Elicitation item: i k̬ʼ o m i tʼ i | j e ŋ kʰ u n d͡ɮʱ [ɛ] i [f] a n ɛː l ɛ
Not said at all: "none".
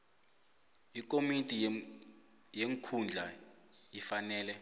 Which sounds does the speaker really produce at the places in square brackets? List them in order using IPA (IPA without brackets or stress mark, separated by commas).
a, f